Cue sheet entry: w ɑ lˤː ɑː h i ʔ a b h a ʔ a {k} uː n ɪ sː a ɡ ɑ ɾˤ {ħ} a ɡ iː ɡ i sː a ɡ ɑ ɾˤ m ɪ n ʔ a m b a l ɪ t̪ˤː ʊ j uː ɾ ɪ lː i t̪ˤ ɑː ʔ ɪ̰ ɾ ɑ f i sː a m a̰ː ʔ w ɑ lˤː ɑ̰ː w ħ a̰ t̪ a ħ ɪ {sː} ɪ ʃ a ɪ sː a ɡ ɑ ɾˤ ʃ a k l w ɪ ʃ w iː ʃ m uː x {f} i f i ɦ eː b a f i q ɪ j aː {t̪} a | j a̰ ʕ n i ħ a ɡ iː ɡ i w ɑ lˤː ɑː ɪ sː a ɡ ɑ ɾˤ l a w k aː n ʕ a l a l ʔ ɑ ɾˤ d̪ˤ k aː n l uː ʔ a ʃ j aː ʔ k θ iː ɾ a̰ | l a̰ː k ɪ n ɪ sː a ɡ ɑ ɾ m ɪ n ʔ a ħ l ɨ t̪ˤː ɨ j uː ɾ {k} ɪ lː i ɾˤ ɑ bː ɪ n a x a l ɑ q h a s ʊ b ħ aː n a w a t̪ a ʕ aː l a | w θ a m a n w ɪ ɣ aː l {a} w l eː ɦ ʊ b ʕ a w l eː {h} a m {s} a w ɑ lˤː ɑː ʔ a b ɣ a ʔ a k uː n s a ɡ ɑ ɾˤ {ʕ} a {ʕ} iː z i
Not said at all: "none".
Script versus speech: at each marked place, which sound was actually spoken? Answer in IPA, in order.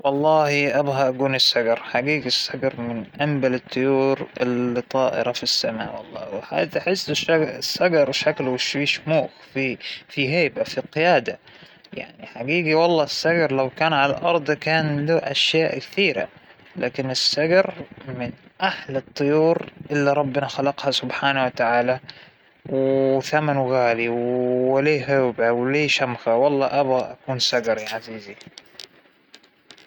ɡ, ħ, sː, f, d̪, ʔ, i, ʃ, x, ʕ, z

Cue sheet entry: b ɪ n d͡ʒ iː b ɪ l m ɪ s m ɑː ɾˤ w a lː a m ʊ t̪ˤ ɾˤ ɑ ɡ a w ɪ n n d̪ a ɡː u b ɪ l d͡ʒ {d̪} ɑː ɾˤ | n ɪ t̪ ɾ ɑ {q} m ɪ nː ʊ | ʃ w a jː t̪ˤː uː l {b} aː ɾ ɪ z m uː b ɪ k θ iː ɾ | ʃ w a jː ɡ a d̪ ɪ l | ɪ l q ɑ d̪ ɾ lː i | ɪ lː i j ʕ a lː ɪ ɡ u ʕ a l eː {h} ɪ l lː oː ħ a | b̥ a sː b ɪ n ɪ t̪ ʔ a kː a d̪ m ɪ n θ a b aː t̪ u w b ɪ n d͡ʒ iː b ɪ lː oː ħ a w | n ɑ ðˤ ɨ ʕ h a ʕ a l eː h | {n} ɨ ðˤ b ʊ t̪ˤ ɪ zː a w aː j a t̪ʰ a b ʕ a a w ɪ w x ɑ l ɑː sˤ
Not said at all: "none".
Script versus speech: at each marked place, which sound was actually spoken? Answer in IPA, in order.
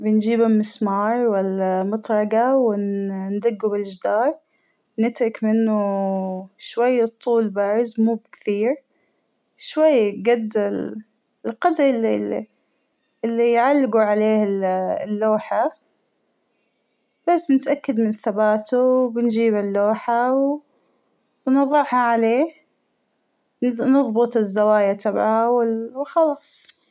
d̪, k, b, h, n

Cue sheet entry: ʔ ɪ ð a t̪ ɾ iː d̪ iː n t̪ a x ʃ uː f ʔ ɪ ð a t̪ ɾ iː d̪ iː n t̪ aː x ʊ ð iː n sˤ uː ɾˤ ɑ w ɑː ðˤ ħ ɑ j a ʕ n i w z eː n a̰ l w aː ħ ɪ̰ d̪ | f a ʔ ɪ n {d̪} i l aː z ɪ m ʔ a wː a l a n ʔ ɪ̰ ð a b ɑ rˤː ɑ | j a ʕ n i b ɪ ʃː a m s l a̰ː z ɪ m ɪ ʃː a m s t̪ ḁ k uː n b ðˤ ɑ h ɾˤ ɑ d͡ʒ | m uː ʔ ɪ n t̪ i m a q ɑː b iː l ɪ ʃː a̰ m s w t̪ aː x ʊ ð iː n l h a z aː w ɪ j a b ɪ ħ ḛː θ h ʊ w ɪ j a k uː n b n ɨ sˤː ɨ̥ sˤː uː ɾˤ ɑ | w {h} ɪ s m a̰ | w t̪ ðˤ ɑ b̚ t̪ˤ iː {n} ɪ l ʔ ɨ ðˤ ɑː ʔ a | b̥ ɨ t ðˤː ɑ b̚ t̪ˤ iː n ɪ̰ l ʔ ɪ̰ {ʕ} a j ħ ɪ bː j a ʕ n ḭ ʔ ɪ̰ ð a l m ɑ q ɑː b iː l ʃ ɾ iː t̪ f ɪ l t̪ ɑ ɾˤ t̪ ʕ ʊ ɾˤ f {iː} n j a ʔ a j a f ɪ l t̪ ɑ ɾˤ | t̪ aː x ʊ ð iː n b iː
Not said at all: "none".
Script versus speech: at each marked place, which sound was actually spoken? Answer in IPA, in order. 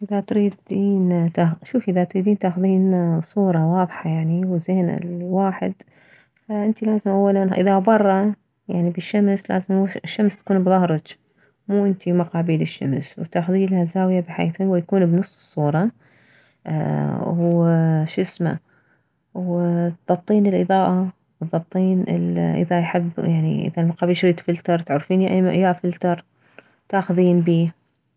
t̪, ʃ, n, ð, iː

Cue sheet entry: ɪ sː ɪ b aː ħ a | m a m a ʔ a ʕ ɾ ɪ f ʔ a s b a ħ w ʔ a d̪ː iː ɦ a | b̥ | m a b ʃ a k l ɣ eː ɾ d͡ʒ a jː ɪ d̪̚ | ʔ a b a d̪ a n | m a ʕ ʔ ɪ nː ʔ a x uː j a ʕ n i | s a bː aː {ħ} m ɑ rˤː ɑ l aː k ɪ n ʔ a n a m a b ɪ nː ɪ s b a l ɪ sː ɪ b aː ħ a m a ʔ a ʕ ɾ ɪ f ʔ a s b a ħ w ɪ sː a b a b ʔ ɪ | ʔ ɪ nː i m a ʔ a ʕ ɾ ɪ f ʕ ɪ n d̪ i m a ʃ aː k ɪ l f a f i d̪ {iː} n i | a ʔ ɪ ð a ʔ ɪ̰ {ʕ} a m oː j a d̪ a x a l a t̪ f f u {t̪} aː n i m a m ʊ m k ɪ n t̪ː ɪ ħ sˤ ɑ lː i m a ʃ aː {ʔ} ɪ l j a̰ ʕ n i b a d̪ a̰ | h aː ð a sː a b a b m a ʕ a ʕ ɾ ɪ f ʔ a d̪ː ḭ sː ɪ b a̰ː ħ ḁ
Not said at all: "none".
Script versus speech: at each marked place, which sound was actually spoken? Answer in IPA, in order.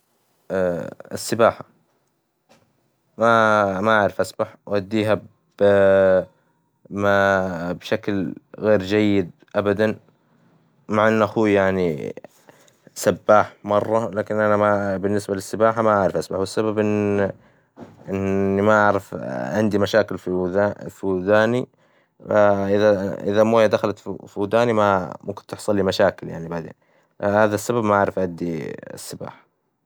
ħ, aː, ð, d̪, k

